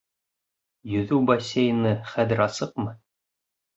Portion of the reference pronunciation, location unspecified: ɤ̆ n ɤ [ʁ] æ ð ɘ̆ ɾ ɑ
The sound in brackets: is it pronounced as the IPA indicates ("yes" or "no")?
no